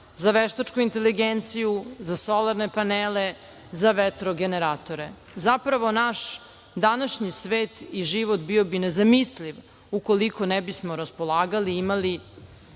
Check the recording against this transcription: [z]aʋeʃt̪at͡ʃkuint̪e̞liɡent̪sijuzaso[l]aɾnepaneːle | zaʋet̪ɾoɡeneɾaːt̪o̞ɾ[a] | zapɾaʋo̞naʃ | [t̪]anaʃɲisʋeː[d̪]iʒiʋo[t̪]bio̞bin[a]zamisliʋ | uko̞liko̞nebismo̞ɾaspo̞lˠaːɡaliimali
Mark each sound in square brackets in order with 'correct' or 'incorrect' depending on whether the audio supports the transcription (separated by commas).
correct, correct, incorrect, incorrect, incorrect, correct, incorrect